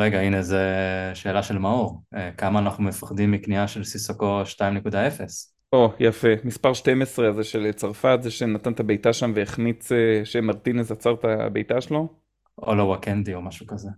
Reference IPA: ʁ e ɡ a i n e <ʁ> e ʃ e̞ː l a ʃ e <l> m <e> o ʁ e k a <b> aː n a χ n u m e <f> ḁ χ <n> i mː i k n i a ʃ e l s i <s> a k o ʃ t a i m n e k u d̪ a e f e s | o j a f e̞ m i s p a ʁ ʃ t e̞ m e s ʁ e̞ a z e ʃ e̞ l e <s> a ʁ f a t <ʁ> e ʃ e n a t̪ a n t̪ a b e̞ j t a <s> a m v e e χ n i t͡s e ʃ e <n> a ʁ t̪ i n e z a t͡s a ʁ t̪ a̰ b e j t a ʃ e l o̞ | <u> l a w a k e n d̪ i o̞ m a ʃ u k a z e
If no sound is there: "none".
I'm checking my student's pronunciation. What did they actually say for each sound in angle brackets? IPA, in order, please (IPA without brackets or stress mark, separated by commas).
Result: z, l, a, m, f, d, s, t͡s, z, ʃ, m, o